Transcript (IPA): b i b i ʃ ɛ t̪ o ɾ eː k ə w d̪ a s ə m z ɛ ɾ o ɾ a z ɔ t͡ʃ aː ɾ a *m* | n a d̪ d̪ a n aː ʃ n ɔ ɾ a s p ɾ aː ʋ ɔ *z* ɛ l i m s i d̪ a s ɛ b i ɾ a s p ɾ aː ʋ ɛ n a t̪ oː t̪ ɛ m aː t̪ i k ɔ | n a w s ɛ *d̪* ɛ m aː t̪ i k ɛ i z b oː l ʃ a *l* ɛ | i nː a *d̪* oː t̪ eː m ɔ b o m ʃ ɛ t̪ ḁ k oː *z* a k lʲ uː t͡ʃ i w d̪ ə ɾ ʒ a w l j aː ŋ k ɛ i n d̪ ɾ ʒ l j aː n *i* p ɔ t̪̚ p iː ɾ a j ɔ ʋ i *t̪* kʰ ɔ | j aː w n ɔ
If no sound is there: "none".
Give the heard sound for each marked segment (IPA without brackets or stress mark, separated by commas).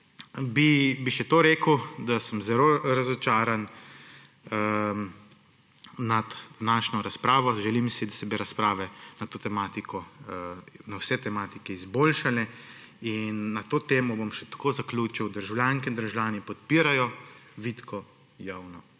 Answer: n, ʒ, t̪, l, t̪, z, i, t̪